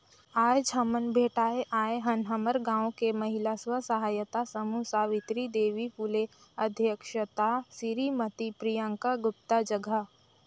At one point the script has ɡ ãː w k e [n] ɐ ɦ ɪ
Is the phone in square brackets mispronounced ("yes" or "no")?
yes